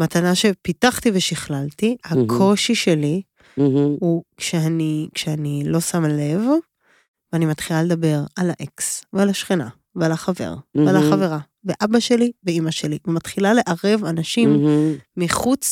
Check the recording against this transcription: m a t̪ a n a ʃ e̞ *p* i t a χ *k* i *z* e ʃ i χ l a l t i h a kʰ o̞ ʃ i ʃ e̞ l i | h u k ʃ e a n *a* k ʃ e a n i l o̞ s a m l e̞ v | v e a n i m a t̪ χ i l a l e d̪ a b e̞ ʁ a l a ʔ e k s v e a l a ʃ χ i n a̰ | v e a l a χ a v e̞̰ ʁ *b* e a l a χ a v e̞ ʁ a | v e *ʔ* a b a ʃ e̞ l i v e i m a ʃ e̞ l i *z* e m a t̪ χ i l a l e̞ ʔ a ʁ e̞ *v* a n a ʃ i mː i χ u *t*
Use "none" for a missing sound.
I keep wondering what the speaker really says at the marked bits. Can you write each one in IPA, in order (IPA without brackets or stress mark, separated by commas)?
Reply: p, t, v, i, v, ʔ, v, v, t͡s